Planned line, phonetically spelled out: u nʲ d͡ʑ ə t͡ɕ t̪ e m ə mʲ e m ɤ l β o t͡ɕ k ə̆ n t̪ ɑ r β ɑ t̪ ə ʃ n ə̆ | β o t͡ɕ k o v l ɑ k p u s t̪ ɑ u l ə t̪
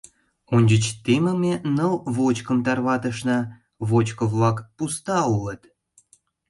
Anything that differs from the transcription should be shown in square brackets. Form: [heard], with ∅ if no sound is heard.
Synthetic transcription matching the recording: u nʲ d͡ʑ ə t͡ɕ t̪ e m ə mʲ e [n] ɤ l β o t͡ɕ k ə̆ [m] t̪ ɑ r β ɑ t̪ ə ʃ n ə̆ | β o t͡ɕ k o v l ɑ k p u s t̪ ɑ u l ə t̪